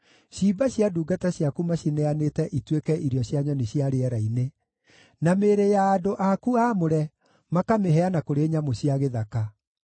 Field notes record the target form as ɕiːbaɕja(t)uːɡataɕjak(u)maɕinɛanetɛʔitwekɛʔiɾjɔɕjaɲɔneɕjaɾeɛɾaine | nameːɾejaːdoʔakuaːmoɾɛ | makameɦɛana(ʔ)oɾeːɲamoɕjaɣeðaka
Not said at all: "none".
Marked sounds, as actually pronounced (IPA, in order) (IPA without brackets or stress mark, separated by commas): d, u, k